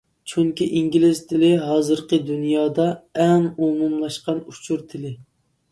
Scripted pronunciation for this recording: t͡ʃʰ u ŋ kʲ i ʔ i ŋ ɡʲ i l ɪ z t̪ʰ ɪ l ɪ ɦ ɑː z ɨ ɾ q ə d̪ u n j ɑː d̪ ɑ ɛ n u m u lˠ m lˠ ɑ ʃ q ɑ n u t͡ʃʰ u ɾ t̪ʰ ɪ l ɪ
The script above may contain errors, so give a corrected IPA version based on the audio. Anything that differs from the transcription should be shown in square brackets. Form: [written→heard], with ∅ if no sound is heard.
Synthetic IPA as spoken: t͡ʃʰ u ŋ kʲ i ʔ i ŋ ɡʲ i l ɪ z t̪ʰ ɪ l ɪ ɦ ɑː z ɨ ɾ q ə d̪ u n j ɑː d̪ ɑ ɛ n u m u [lˠ→∅] m lˠ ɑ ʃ q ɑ n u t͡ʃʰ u ɾ t̪ʰ ɪ l ɪ